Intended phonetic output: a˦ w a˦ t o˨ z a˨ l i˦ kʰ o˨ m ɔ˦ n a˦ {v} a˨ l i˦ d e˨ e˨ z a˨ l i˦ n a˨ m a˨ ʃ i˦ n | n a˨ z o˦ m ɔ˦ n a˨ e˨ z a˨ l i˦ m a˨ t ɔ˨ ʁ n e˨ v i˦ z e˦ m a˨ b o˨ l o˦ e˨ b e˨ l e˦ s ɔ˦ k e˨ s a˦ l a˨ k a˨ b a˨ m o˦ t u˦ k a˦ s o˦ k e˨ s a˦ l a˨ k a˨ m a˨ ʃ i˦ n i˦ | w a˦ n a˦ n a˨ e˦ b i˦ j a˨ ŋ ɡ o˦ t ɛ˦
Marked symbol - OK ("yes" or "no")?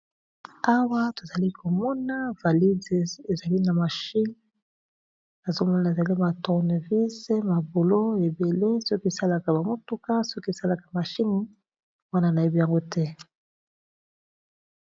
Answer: yes